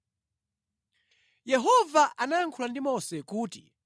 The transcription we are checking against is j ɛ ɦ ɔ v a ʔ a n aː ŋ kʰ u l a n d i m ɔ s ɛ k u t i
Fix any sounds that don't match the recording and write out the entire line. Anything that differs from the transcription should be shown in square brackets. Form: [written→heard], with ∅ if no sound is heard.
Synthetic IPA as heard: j ɛ ɦ ɔ v a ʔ a n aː ŋ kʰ u l a n d i m ɔ s ɛ k [u→uː] t i